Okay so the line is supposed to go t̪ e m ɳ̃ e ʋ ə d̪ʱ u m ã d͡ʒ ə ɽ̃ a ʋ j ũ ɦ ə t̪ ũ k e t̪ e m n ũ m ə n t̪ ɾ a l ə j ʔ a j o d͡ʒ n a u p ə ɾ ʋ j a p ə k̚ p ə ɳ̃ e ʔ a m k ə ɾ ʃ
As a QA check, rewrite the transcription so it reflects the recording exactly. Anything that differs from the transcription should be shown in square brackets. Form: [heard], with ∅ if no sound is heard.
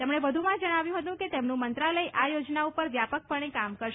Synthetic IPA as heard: t̪ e m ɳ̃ e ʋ ə d̪ʱ u m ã d͡ʒ ə ɽ̃ a ʋ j ũ ɦ ə t̪ ũ k e t̪ e m n ũ m ə n t̪ ɾ a l ə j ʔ a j o d͡ʒ n a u p ə ɾ ʋ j a p ə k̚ p ə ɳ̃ e [k] a m k ə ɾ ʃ